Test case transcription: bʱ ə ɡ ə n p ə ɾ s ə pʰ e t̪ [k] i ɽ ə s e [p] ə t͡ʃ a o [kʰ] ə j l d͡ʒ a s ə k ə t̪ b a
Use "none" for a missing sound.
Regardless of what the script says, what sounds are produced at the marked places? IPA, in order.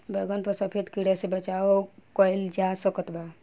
k, b, k

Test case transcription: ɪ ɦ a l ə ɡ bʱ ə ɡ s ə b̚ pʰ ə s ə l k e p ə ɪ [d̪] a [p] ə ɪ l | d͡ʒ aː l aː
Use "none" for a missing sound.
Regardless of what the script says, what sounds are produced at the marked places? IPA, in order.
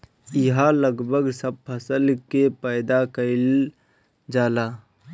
d̪, k

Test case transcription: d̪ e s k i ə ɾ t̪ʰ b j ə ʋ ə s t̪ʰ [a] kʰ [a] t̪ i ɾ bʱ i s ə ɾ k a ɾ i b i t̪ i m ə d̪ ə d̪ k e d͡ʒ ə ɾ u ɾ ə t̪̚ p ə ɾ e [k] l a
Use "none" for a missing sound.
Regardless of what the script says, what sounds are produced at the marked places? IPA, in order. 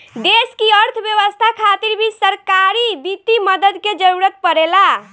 a, a, none

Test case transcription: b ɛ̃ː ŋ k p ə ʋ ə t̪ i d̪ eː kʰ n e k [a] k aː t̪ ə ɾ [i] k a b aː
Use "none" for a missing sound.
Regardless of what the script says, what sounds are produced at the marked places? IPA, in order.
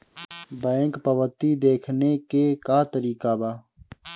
e, iː

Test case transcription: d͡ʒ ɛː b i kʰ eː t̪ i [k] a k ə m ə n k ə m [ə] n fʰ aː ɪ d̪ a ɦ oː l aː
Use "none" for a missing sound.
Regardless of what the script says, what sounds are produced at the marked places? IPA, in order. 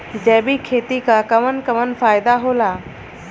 k, ə

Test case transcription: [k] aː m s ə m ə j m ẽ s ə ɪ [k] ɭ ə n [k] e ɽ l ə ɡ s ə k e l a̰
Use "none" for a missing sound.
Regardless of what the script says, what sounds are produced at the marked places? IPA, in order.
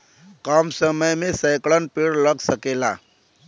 k, k, p

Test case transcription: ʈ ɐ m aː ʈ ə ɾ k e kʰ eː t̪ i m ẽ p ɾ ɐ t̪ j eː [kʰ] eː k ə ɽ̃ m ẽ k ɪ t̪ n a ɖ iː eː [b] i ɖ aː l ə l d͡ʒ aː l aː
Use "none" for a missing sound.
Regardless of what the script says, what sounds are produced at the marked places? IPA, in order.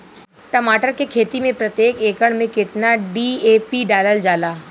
k, p

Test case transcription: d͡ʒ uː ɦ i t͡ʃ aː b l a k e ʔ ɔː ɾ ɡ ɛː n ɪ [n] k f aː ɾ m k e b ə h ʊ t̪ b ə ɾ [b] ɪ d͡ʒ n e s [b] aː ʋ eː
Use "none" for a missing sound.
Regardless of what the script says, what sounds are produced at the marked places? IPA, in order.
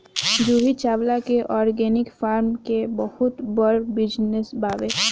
none, b, b

